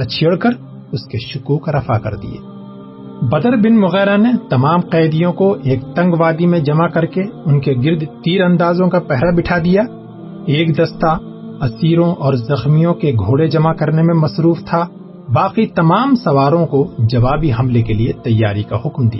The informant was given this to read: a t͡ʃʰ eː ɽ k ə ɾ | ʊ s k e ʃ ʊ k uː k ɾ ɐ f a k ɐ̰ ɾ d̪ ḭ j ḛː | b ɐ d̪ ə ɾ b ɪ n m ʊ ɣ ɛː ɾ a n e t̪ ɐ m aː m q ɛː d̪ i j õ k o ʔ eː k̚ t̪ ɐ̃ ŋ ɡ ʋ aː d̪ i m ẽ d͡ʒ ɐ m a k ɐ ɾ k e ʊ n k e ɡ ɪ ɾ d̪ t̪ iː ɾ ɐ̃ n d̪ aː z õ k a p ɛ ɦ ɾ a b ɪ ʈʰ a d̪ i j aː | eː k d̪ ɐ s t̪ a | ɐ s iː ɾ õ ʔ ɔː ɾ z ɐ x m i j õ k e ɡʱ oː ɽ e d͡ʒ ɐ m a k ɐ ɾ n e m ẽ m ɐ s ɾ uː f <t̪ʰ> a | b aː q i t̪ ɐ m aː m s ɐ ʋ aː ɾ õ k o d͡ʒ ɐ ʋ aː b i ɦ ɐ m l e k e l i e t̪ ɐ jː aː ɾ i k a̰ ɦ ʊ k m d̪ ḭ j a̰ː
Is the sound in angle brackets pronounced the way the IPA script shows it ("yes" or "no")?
yes